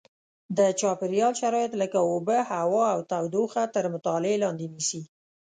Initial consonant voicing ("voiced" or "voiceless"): voiced